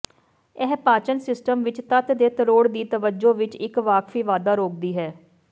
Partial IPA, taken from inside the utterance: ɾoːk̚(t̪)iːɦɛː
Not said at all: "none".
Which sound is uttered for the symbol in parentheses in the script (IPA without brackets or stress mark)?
d̪